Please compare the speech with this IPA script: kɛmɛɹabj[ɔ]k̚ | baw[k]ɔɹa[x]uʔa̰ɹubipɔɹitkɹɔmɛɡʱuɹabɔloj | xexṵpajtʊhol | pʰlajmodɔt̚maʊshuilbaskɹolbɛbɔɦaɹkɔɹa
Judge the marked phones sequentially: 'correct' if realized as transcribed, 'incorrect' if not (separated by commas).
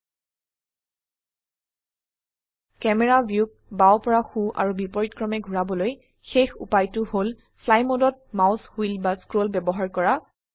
incorrect, incorrect, correct